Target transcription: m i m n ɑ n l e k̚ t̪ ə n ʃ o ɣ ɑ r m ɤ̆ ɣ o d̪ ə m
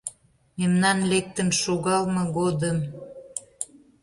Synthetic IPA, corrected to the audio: m e m n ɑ n l e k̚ t̪ ə n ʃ o ɣ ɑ l m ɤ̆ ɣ o d̪ ə m